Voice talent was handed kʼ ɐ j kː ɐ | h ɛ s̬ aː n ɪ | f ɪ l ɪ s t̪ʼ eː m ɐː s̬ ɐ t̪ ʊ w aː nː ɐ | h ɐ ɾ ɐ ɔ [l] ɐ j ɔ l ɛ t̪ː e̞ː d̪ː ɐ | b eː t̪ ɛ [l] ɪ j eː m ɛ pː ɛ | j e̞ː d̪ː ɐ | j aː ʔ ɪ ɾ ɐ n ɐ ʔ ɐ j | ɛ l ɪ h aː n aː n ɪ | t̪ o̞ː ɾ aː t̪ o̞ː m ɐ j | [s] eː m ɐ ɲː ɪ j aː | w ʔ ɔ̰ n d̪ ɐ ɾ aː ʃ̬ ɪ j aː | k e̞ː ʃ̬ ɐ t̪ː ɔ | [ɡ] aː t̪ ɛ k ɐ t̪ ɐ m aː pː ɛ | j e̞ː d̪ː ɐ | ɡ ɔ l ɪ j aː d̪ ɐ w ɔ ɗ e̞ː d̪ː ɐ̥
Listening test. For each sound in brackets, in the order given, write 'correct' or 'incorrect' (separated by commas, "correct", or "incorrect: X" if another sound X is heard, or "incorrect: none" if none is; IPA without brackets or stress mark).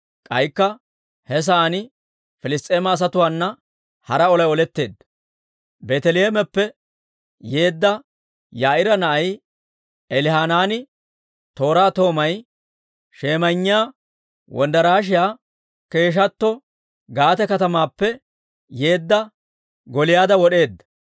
correct, correct, incorrect: ʃ, correct